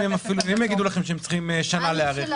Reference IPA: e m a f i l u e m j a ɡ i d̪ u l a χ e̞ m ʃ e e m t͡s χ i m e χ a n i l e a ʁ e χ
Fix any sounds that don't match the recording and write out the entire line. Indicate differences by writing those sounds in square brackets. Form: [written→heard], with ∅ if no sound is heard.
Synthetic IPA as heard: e m a f i l u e m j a ɡ i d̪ u l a χ e̞ m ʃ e e m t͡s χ i m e [χ→ʃ] a n [i→a] l e a ʁ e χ